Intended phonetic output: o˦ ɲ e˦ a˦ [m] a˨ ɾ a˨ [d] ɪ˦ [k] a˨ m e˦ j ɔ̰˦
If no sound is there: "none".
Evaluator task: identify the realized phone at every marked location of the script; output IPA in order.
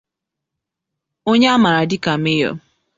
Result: m, d, k

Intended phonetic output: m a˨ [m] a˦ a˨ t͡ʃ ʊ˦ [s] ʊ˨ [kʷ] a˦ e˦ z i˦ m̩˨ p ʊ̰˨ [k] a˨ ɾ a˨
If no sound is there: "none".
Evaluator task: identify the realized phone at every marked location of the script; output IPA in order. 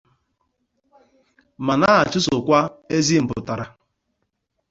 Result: n, s, kʷ, t

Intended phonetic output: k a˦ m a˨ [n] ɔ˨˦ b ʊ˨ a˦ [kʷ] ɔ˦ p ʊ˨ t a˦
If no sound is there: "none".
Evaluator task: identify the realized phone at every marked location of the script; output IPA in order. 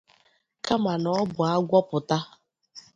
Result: n, ɡʷ

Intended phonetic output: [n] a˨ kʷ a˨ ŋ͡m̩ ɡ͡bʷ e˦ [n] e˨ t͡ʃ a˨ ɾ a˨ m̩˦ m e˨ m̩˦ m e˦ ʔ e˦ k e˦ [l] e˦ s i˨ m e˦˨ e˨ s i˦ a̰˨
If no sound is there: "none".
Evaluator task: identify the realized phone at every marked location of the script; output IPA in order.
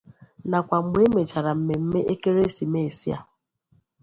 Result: n, m, ɾ

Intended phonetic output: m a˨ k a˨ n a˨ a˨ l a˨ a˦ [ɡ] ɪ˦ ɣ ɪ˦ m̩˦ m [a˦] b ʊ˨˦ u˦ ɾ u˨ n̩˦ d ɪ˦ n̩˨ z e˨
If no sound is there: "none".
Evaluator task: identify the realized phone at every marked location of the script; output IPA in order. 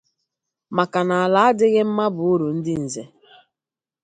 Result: d, a˦

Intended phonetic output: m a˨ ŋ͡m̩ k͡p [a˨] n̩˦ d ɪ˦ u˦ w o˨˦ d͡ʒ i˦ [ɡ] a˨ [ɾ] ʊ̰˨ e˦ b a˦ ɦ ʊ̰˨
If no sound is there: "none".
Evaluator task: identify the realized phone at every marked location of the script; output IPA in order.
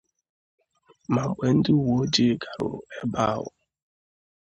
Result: e˨, ɡ, ɾ

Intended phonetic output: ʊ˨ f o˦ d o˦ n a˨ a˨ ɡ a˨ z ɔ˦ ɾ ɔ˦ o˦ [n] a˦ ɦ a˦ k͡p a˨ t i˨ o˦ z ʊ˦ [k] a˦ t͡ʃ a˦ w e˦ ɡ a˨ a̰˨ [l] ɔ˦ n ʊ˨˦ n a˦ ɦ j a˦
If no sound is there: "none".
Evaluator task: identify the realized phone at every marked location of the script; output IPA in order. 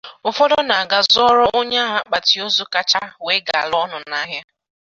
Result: ɲ, k, l

